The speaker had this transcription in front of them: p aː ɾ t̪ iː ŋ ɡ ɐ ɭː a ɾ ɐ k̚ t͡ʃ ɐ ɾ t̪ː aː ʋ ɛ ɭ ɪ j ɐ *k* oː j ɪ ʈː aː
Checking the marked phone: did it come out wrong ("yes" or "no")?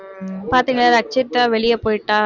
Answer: yes